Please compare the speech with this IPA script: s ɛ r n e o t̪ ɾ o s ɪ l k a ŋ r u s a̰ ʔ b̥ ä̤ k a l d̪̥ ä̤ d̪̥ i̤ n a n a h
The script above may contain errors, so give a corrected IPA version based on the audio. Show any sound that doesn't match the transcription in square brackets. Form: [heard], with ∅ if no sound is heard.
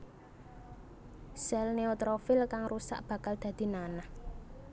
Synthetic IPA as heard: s ɛ [l] n e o t̪ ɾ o [f] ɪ l k a ŋ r u s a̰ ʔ b̥ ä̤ k a l d̪̥ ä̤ d̪̥ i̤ n a n a h